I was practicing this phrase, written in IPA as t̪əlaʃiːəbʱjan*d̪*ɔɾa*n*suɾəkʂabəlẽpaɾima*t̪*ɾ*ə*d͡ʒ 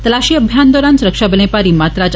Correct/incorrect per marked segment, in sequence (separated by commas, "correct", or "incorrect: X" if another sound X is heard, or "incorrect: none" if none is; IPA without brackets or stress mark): correct, correct, correct, incorrect: a